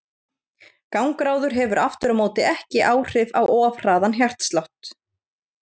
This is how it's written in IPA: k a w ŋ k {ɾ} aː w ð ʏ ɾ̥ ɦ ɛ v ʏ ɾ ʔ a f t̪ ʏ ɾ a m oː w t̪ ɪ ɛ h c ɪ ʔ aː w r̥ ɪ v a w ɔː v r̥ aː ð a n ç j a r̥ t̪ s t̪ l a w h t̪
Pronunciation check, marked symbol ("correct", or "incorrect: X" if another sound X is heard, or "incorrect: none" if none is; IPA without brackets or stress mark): correct